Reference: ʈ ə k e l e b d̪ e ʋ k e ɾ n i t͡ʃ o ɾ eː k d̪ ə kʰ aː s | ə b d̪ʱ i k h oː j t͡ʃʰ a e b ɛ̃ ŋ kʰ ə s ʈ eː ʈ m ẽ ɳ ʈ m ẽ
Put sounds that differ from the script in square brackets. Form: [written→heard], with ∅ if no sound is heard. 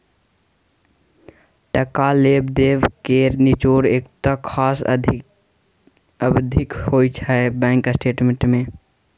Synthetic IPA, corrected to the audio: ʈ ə k [e→a] l e b d̪ e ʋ k e ɾ n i t͡ʃ o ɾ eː k [d̪→t̪] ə kʰ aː s | ə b d̪ʱ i k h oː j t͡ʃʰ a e b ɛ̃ ŋ [kʰ→k] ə s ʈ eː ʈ m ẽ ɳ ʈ m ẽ